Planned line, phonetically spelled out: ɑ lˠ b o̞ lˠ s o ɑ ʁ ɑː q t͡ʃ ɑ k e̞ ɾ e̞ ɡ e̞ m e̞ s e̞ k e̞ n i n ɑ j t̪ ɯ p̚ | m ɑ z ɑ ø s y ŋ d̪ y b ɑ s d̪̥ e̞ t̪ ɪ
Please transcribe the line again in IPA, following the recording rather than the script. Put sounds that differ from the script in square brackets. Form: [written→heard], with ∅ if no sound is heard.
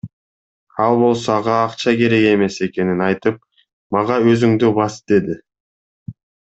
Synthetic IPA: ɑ lˠ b o̞ lˠ s o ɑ ʁ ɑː q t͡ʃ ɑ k e̞ ɾ e̞ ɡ e̞ m e̞ s e̞ k e̞ n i n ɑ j t̪ ɯ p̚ | m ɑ [z→ʁ] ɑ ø [s→z] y ŋ d̪ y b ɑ s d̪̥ e̞ [t̪→d̪] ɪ